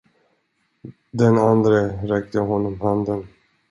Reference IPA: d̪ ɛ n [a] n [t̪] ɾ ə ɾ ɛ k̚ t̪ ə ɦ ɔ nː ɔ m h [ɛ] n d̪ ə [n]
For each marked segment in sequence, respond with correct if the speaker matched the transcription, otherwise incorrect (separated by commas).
correct, incorrect, incorrect, correct